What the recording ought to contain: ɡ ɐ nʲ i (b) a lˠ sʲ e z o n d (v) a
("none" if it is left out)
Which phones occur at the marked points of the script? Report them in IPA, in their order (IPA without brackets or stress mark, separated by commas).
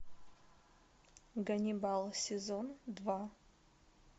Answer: b, v